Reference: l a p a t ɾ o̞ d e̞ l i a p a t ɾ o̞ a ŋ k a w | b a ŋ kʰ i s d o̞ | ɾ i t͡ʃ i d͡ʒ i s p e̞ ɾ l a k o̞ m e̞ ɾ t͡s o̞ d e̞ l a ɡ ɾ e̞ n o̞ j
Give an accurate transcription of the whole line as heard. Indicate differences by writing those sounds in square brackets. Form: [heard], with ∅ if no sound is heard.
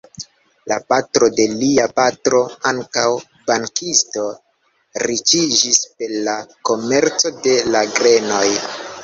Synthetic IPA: l a p a t ɾ o̞ d e̞ l i a p a t ɾ o̞ a ŋ k a w | b a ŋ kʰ i s [t] o̞ | ɾ i t͡ʃ i d͡ʒ i s p e̞ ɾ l a k o̞ m e̞ ɾ t͡s o̞ d e̞ l a ɡ ɾ e̞ n o̞ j